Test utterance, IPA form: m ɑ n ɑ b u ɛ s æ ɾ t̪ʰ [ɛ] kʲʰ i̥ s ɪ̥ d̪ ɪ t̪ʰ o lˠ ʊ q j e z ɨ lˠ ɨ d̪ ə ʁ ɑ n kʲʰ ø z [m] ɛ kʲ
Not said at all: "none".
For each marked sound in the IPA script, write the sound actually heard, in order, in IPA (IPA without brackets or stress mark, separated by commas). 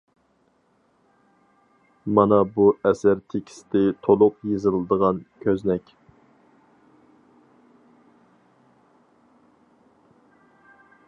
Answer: e, n